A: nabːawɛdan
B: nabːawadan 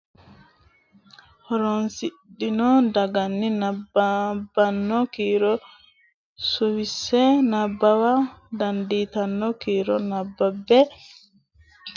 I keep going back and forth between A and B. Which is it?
B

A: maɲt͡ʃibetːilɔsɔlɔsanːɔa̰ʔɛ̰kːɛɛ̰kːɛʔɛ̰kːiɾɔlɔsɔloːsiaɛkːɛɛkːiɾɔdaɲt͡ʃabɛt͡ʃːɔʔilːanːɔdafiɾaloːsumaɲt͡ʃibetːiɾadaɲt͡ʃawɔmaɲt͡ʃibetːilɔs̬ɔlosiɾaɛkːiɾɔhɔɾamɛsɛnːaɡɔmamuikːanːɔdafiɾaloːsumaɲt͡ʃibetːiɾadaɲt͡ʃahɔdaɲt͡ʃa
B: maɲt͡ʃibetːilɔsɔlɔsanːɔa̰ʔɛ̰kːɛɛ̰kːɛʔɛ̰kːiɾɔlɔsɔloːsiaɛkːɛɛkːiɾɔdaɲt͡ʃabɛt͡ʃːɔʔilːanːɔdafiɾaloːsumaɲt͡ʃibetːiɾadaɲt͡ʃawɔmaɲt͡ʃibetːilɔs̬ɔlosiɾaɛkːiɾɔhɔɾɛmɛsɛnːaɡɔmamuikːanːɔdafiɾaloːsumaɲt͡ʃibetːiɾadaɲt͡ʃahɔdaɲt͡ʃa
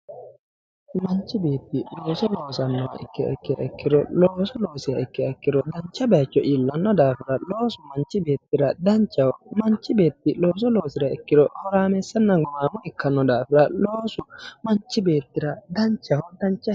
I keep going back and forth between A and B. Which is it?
A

